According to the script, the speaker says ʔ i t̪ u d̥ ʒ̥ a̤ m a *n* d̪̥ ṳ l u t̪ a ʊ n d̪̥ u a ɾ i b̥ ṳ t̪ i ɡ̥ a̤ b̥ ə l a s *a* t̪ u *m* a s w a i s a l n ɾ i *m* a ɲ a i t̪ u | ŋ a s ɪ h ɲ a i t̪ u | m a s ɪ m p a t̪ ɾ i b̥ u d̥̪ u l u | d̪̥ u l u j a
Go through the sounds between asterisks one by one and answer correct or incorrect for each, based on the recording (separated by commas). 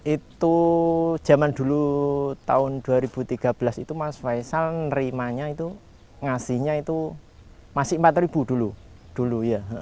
correct, incorrect, correct, correct